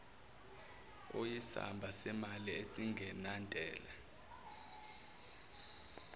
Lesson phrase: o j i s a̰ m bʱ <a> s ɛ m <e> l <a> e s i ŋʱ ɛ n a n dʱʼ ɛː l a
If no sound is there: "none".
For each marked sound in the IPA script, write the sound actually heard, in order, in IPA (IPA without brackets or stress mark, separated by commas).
a, a, i